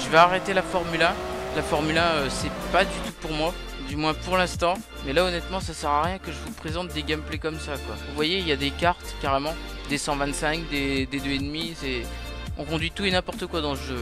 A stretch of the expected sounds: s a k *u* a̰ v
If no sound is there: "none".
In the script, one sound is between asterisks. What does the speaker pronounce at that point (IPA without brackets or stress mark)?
w